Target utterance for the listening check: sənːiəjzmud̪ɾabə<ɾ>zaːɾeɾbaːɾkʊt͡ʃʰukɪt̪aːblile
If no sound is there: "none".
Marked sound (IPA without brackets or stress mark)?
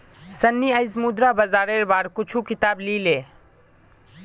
none